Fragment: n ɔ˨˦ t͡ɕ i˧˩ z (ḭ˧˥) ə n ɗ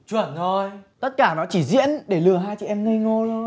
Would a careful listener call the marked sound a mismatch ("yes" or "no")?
no